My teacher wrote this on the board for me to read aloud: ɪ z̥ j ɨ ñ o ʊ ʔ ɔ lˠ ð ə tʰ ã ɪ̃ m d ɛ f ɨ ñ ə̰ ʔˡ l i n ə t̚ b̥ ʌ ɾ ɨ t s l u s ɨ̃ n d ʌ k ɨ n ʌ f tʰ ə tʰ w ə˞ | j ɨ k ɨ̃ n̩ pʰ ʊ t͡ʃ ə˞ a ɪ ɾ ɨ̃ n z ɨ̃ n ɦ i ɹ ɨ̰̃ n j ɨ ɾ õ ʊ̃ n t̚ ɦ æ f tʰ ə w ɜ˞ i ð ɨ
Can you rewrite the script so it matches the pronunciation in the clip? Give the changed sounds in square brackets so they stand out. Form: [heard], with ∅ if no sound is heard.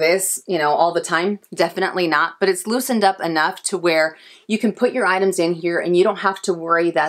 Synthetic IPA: ɪ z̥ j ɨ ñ o ʊ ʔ ɔ lˠ ð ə tʰ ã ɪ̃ m d ɛ f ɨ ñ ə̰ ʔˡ l i n ə t̚ b̥ ʌ ɾ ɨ t s l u s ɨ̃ n d ʌ [p] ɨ n ʌ f tʰ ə [∅] w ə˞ | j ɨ k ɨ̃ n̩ pʰ ʊ t͡ʃ ə˞ a ɪ ɾ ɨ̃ [m] z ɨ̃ n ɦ i ɹ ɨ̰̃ n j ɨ ɾ õ ʊ̃ n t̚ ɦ æ f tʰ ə w ɜ˞ i ð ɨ